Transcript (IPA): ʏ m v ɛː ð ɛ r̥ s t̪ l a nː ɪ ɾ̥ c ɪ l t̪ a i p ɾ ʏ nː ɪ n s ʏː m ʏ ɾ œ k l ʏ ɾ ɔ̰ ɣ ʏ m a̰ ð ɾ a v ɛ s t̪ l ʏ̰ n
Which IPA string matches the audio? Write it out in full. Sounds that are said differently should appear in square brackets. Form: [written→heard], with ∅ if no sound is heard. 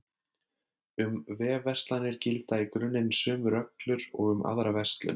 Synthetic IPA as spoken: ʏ m v ɛː [ð→v] ɛ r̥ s t̪ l a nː ɪ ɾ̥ c ɪ l t̪ a i [p→k] ɾ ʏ nː ɪ n s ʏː m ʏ ɾ œ k l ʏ ɾ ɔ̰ ɣ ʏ m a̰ ð ɾ a v ɛ s t̪ l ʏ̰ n